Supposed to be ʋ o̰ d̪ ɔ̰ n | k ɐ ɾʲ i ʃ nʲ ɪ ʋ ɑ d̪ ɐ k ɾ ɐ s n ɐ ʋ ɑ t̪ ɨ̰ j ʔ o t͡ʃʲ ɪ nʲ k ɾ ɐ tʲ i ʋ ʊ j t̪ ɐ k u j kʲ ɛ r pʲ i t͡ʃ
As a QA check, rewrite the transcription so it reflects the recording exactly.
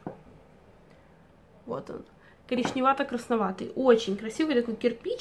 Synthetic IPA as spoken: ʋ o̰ t̪ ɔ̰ n | k ɐ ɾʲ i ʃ nʲ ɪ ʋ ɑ t̪ ɐ k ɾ ɐ s n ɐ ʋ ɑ t̪ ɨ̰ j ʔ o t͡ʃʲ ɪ nʲ k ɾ ɐ sʲ i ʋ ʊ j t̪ ɐ k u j kʲ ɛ r pʲ i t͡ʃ